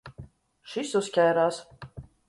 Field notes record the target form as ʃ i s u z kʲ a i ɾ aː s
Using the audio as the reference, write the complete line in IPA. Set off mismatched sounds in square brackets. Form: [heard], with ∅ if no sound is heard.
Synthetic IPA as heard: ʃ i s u [s] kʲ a [j] ɾ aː s